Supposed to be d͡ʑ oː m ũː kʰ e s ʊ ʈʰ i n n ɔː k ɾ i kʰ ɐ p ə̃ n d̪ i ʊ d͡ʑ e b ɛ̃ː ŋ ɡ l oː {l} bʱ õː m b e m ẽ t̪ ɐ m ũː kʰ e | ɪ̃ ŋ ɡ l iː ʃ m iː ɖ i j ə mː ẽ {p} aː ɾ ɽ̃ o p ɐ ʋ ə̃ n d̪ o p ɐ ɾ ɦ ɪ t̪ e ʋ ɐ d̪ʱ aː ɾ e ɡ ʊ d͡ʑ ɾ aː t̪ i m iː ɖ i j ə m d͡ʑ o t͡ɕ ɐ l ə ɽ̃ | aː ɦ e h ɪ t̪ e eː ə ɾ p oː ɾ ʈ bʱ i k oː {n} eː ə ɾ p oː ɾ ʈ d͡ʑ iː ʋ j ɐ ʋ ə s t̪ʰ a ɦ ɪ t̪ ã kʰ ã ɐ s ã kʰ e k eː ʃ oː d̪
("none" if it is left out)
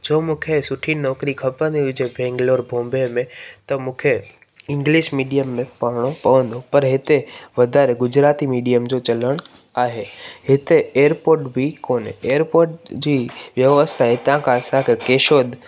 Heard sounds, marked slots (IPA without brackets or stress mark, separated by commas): ɾ, p, n